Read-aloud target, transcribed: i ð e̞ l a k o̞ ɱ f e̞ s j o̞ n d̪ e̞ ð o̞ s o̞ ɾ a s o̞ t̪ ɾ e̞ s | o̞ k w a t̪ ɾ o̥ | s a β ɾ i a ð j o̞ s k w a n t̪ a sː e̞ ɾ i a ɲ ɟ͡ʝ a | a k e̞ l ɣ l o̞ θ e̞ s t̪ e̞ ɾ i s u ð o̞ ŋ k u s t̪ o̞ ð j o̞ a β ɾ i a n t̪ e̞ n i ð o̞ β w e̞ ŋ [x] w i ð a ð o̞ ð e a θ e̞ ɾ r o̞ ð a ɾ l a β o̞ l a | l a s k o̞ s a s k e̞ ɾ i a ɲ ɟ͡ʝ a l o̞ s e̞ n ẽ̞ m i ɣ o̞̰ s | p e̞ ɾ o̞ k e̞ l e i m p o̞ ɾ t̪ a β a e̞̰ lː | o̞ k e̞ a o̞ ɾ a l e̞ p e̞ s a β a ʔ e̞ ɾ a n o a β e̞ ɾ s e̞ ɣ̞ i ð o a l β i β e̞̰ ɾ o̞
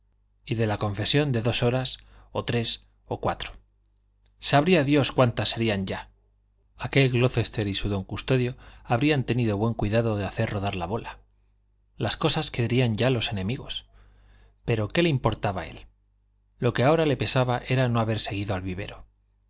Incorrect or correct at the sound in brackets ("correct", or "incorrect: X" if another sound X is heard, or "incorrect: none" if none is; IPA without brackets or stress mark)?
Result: incorrect: k